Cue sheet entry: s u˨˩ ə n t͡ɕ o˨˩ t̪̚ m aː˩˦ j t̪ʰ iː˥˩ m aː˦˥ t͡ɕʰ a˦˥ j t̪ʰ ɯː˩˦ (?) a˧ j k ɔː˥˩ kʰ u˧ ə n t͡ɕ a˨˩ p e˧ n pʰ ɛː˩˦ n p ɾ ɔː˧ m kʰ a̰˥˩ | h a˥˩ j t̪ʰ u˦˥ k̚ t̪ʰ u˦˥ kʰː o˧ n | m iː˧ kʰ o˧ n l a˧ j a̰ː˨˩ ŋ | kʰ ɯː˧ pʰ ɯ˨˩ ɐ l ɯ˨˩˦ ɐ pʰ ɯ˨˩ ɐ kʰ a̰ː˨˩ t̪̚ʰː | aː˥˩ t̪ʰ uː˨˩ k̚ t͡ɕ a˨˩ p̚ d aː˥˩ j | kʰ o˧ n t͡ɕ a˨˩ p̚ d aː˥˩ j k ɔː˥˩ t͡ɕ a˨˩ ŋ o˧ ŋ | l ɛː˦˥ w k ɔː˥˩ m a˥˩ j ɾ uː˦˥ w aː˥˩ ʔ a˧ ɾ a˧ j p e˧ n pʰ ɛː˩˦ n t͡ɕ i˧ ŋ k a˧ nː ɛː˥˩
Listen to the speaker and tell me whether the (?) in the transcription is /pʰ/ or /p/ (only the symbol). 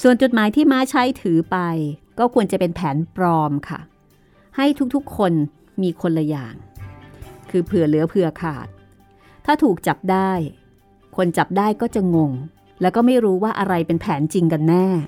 p